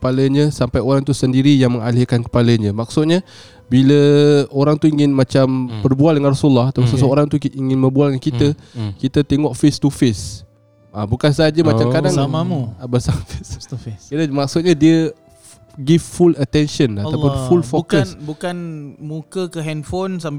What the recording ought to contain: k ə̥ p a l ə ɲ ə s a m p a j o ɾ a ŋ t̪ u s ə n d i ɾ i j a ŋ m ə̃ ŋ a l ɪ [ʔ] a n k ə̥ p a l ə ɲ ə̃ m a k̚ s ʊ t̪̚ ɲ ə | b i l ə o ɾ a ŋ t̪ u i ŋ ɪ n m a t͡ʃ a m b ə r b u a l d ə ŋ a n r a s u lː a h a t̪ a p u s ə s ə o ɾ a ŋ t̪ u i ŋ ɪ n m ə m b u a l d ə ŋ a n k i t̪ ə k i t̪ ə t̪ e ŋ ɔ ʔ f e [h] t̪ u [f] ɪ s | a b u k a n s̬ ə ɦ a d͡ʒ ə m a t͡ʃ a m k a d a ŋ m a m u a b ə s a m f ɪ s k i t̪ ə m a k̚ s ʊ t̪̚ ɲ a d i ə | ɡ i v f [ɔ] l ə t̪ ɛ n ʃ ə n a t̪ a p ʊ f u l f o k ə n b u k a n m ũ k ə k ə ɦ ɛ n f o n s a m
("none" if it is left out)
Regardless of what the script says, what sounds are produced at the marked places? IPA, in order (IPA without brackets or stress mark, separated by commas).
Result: k, s, f, u